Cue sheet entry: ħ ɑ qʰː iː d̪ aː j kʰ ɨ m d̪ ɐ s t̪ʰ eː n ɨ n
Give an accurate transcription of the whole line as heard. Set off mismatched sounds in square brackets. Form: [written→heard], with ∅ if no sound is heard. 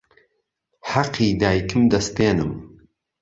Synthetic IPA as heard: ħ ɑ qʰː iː d̪ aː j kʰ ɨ m d̪ ɐ s [t̪ʰ→t̪] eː n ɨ [n→m]